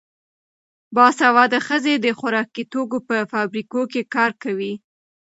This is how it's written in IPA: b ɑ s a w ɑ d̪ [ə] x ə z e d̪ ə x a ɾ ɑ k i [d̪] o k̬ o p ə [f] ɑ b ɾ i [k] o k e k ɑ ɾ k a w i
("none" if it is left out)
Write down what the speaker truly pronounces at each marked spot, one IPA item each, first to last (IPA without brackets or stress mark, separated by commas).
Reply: ə, t̪, f, k